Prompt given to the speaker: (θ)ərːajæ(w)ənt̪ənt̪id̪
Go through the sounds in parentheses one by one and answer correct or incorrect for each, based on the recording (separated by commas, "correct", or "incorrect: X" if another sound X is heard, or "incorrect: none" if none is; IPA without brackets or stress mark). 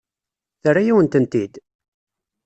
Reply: correct, correct